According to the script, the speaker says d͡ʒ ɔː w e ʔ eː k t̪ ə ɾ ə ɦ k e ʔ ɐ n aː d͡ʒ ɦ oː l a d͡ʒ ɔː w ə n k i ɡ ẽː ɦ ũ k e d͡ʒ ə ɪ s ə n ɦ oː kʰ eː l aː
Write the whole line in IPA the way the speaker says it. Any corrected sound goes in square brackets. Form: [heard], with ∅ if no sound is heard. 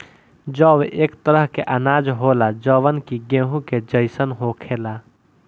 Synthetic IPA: d͡ʒ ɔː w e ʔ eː k t̪ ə ɾ ə ɦ k e ʔ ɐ n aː d͡ʒ ɦ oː l a d͡ʒ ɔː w ə n k i ɡ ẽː ɦ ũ k e d͡ʒ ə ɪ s ə n ɦ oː kʰ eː l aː